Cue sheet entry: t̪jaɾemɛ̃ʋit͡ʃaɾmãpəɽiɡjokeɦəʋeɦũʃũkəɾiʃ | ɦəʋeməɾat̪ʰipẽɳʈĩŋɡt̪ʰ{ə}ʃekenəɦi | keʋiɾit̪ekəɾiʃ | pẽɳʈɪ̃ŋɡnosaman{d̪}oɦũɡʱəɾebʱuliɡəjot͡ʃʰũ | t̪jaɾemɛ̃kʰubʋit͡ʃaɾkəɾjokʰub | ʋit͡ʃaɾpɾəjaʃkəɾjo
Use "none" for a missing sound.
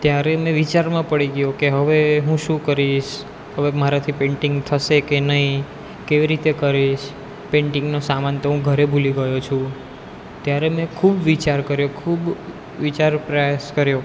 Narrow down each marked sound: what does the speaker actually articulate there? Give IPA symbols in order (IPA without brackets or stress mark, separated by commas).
ə, t̪